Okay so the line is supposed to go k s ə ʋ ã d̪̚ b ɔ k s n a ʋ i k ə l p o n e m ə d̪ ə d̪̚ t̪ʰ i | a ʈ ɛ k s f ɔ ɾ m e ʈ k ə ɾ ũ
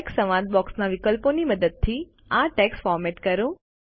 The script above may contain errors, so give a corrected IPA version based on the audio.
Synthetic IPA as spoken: k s ə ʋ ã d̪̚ b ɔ k s n a ʋ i k ə l p o n i m ə d̪ ə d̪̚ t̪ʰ i | a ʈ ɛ k s f ɔ ɾ m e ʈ k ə ɾ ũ